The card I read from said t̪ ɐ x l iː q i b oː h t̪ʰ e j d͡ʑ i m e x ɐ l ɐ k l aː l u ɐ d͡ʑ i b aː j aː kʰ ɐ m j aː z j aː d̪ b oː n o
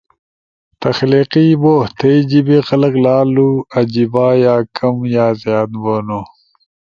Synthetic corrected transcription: t̪ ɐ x l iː q i b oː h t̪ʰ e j d͡ʑ i b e x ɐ l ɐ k l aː l u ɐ d͡ʑ i b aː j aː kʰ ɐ m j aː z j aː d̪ b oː n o

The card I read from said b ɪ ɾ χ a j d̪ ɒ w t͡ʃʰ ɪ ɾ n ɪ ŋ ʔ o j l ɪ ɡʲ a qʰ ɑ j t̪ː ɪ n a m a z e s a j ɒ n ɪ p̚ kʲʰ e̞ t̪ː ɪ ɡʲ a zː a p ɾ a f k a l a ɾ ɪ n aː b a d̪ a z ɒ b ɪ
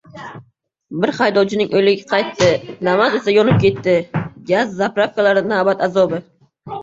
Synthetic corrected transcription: b ɪ ɾ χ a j d̪ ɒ w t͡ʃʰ ɪ n ɪ ŋ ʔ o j l ɪ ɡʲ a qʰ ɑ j t̪ː ɪ n a m a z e s a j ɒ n ɪ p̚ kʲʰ e̞ t̪ː ɪ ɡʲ a zː a p ɾ a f k a l a ɾ ɪ n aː b a t̪ a z ɒ b ɪ

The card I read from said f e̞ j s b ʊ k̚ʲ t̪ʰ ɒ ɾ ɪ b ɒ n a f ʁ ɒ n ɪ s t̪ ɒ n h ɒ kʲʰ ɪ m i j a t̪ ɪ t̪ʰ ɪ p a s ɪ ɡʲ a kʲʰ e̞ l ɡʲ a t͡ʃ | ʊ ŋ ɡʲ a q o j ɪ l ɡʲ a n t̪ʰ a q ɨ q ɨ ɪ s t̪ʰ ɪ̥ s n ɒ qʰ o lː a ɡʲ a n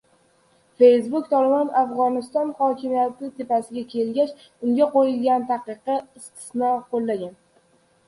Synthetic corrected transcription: f e̞ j s b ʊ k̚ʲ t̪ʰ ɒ l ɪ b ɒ n a f ʁ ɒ n ɪ s t̪ ɒ n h ɒ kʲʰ ɪ m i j a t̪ ɪ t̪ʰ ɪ p a s ɪ ɡʲ a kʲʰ e̞ l ɡʲ a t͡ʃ | ʊ ŋ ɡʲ a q o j ɪ l ɡʲ a n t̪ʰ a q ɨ q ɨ ɪ s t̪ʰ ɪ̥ s n ɒ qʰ o lː a ɡʲ a n

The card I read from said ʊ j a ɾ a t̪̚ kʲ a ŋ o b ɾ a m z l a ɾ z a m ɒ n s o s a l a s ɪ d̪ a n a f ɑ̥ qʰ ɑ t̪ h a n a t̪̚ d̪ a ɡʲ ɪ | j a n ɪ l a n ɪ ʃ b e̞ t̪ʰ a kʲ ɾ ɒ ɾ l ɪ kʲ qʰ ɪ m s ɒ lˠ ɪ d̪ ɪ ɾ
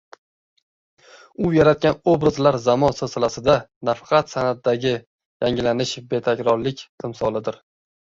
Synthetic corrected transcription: ʊ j a ɾ a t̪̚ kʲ a n o b ɾ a z l a ɾ z a m ɒ n s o s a l a s ɪ d̪ a n a f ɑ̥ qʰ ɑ t̪ s a n a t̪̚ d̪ a ɡʲ ɪ | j a ŋ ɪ l a n ɪ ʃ b e̞ t̪ʰ a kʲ ɾ ɒ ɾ l ɪ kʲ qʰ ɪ m s ɒ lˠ ɪ d̪ ɪ ɾ

